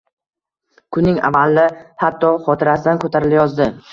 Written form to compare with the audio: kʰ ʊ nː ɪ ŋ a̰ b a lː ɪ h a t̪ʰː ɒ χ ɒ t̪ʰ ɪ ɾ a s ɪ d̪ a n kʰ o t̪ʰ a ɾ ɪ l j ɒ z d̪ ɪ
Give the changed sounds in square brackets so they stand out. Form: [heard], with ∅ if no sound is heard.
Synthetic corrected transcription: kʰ ʊ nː ɪ ŋ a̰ [v] a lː ɪ h a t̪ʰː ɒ χ ɒ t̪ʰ ɪ ɾ a s ɪ d̪ a n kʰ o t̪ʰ a ɾ ɪ l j ɒ z d̪ ɪ